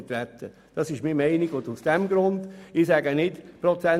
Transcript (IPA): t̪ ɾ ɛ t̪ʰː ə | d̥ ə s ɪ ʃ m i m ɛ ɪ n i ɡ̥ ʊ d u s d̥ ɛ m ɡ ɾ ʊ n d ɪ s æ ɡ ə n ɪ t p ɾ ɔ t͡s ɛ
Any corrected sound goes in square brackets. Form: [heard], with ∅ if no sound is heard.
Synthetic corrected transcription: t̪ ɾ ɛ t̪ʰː ə | d̥ [ɑ] s ɪ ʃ m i m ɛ ɪ n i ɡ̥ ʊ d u s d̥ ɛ m ɡ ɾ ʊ n d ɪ s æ ɡ ə n ɪ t p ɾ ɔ t͡s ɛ